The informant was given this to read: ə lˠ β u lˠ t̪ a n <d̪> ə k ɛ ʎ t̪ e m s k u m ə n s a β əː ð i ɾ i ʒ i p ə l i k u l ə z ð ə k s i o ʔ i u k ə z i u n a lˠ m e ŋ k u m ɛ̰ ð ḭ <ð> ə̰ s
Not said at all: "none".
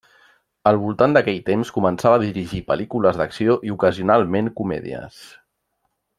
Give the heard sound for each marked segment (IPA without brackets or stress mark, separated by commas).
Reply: d̪, none